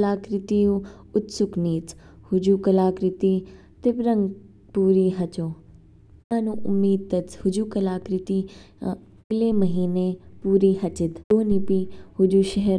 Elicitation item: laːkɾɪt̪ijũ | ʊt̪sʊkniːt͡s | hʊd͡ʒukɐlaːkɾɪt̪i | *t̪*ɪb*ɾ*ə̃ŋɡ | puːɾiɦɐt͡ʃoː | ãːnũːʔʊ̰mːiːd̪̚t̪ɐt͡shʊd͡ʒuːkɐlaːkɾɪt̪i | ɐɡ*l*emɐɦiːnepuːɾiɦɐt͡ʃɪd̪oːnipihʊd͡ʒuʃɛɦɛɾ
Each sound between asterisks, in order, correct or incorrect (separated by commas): correct, correct, correct